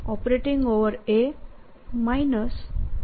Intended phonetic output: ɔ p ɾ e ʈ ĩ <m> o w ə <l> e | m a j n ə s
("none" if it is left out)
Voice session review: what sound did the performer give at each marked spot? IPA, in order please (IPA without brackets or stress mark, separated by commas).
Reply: ŋ, ɾ